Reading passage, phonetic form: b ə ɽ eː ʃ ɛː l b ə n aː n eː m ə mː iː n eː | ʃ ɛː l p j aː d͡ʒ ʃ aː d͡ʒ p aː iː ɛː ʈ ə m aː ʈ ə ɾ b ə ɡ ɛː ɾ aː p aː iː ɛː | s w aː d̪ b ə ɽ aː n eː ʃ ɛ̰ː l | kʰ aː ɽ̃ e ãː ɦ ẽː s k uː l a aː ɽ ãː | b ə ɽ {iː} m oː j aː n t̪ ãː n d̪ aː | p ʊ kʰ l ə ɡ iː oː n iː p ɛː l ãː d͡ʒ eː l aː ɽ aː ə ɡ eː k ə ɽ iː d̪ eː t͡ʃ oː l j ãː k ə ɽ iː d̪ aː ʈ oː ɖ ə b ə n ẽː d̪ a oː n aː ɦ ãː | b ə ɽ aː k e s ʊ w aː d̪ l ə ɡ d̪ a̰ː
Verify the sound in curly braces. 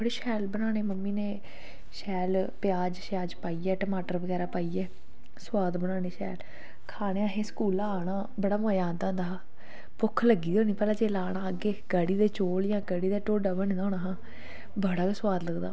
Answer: incorrect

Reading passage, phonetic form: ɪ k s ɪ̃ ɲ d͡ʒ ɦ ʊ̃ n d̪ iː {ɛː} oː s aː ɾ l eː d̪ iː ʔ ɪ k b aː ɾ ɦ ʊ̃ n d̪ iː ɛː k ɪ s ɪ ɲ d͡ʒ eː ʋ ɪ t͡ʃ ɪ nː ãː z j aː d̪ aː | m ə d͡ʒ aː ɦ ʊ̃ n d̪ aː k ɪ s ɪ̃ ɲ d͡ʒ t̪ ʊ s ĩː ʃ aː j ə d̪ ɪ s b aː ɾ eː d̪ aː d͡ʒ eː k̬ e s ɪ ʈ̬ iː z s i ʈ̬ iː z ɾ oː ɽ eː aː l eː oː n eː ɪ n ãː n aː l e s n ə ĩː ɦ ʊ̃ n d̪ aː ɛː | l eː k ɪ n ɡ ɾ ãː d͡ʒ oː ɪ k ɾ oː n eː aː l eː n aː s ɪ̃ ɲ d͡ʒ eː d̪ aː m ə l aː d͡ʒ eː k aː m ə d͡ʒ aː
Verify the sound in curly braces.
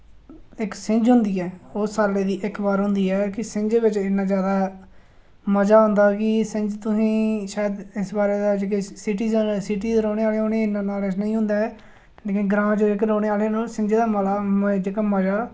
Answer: correct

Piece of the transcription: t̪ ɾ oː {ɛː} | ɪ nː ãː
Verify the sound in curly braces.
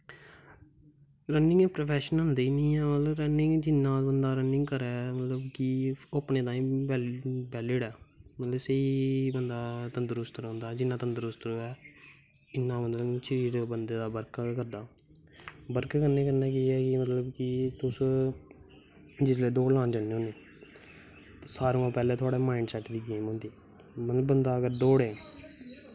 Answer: correct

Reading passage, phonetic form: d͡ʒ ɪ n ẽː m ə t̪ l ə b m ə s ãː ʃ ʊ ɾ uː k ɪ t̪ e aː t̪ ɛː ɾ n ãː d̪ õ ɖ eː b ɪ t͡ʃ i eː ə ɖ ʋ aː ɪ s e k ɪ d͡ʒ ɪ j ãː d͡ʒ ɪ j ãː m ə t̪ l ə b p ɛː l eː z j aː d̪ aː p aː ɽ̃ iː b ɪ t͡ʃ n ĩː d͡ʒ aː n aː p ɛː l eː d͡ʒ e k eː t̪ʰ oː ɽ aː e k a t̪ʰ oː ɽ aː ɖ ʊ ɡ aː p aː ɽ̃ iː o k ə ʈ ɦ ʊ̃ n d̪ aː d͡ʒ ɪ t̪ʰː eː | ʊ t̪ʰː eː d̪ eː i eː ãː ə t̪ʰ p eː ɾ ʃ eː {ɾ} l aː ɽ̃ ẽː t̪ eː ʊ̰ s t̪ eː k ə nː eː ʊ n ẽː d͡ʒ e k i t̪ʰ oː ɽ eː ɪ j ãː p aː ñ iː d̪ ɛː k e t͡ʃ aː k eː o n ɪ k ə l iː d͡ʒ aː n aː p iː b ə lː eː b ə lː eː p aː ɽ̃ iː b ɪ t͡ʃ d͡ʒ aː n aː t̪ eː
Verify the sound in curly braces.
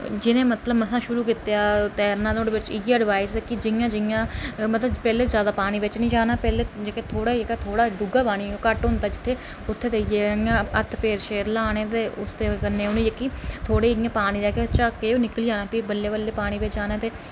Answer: correct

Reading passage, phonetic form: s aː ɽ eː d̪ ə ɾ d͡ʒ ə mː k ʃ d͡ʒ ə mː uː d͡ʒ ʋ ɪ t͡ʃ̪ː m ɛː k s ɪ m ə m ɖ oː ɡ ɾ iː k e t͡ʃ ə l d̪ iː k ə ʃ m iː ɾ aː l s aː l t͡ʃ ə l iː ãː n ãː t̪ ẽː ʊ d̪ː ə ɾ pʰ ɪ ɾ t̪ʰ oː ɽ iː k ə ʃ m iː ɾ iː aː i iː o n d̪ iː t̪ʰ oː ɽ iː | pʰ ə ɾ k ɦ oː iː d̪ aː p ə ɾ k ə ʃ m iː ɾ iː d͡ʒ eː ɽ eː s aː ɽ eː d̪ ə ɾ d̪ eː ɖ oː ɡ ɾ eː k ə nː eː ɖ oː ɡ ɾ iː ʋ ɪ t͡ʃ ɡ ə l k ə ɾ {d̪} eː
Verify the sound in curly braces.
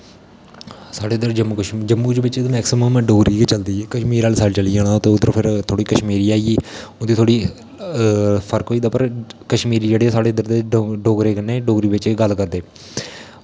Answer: correct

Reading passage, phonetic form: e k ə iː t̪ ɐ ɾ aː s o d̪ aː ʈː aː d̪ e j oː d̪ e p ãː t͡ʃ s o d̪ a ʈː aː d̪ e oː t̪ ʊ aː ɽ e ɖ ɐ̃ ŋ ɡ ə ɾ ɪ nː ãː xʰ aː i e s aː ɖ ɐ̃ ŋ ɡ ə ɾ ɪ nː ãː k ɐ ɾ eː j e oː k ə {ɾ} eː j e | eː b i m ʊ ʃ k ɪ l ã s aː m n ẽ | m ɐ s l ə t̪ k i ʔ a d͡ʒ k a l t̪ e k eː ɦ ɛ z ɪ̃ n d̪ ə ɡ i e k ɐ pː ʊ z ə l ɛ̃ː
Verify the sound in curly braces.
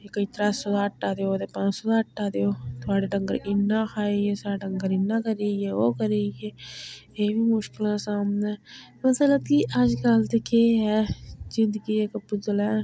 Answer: correct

